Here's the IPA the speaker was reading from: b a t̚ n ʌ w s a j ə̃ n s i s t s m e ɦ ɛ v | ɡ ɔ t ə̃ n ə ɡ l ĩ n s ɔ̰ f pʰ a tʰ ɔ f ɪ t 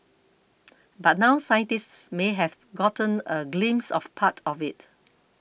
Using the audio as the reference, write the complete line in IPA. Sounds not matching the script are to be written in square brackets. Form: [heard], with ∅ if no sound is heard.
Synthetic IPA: b a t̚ n [a] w s a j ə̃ n [t] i s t s m e ɦ ɛ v | ɡ ɔ t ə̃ n ə ɡ l ĩ [m] s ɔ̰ f pʰ a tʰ ɔ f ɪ t

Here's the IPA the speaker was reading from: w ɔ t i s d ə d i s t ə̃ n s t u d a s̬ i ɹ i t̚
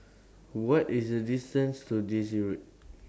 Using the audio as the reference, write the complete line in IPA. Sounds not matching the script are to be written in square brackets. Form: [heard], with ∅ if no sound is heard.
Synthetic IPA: w ɔ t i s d ə d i s t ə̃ n s t u d [i] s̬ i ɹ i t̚

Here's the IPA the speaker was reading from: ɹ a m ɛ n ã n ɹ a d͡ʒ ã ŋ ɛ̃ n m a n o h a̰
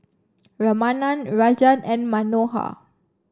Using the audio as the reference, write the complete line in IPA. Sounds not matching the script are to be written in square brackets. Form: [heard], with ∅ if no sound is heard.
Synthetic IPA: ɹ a m [a] n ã n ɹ a d͡ʒ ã [n] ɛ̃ n m a n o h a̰

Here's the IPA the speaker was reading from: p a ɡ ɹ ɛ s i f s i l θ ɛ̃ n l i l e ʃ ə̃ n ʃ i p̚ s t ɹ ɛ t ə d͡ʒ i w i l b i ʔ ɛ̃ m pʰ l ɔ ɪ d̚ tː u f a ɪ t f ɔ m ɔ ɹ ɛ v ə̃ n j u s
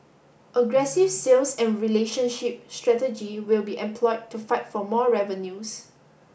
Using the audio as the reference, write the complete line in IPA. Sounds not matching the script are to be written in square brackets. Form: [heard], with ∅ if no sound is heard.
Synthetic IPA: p [ə] ɡ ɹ ɛ s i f s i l [s] ɛ̃ n [ɹ] i l e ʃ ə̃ n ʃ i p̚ s t ɹ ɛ t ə d͡ʒ i w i l b i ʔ ɛ̃ m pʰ l ɔ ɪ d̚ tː u f a ɪ t f ɔ m ɔ ɹ ɛ v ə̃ n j u s

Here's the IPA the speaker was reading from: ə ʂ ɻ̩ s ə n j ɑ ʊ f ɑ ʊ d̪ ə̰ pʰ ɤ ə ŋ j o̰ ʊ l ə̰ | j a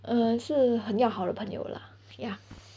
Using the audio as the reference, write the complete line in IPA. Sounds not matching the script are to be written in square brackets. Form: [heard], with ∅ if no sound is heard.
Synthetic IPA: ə ʂ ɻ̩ [x] ə n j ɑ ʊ [x] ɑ ʊ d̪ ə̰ pʰ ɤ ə ŋ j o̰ ʊ l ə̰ | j a

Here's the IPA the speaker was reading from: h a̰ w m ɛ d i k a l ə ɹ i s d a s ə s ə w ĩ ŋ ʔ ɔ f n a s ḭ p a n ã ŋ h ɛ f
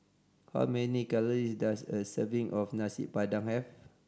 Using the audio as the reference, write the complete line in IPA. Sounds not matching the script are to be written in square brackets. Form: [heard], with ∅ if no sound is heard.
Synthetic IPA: h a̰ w m ɛ [n] i k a l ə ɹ i s d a s ə s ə [v] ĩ ŋ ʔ ɔ f n a s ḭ p a [d] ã ŋ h ɛ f

